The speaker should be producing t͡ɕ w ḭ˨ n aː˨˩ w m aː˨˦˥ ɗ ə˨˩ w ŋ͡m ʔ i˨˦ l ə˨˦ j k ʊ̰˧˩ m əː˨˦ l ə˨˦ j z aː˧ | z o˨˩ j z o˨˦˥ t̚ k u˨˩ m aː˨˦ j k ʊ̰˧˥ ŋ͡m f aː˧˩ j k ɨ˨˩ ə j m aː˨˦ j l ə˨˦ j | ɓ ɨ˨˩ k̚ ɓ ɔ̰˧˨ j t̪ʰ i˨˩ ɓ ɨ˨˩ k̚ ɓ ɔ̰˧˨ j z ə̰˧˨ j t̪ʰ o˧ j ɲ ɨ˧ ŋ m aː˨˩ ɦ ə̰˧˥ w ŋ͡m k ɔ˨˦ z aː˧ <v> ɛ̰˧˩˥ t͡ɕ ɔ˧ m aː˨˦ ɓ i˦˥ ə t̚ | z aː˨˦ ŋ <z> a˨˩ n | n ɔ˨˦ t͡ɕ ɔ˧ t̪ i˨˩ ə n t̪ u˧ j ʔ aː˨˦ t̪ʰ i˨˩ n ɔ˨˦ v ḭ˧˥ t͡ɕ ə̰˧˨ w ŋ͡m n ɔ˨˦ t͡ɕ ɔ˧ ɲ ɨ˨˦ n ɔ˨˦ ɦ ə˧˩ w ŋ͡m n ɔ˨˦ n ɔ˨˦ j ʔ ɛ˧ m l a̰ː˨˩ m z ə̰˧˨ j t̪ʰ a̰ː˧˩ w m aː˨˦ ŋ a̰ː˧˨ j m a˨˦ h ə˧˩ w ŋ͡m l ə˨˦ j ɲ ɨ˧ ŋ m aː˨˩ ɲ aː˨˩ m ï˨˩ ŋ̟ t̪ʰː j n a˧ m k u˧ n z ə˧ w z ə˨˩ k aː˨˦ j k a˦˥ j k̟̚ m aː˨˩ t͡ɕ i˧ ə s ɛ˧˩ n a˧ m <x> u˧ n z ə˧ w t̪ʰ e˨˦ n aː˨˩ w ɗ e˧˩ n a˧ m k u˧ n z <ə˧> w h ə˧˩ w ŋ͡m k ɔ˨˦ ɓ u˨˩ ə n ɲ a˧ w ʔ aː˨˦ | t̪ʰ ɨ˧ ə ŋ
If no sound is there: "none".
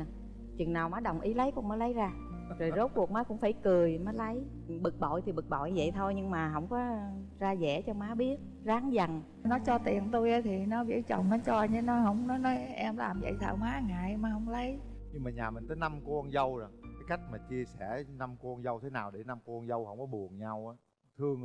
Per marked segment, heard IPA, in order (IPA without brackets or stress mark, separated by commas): z, z, k, ə˧